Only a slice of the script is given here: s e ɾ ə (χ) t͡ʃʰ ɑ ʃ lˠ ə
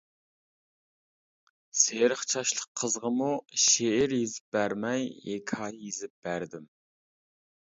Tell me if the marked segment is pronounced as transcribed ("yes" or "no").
yes